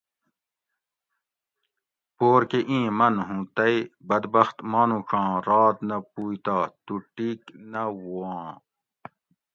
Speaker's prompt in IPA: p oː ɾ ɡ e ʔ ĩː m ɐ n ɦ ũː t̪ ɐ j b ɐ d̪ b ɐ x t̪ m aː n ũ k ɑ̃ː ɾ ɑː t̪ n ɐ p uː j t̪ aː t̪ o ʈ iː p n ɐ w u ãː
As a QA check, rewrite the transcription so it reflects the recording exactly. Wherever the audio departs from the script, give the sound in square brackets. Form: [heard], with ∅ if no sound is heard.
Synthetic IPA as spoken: p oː ɾ [k] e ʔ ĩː m ɐ n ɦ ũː t̪ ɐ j b ɐ d̪ b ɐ x t̪ m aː n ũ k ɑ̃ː ɾ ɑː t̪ n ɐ p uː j t̪ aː t̪ [u] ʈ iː [k] n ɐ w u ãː